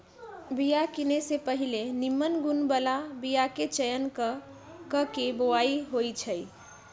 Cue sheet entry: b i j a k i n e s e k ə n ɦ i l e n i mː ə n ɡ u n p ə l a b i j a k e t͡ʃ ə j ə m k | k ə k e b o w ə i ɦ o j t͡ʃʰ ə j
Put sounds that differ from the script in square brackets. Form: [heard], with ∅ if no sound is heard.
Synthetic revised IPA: b i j a k i n e s e [p] ə [∅] ɦ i l e n i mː ə n ɡ u n [b] ə l a b i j a k e t͡ʃ ə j ə [n] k | k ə k e b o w [a] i ɦ o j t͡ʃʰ ə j